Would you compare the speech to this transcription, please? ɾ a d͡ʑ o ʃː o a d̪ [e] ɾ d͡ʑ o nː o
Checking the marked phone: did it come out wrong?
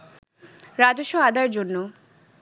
yes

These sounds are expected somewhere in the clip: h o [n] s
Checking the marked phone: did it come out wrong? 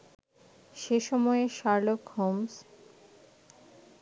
yes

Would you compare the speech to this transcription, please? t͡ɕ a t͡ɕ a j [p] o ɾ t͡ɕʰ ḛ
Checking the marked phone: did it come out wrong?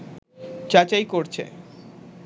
yes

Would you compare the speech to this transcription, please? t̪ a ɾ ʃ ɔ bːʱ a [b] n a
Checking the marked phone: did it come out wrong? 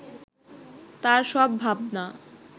no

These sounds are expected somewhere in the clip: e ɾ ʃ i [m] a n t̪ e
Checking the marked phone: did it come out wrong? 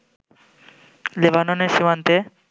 no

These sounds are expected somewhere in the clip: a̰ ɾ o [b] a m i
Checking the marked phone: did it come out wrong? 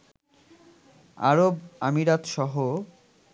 no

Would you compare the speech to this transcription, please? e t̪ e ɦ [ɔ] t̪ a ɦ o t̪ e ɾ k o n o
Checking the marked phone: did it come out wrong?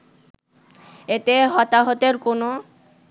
no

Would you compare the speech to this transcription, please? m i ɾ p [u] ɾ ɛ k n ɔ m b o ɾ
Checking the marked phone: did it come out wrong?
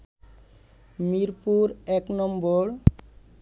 no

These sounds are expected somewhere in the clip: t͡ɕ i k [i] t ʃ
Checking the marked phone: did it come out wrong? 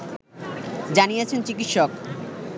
no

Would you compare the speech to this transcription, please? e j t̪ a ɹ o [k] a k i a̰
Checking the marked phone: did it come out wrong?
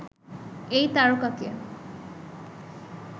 no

